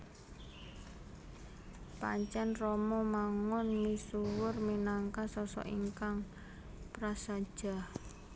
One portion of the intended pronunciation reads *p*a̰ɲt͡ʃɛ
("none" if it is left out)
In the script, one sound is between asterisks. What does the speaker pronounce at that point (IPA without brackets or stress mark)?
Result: p